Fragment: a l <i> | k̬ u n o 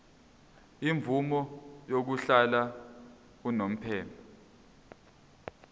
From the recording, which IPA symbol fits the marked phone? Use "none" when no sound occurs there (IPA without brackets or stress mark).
a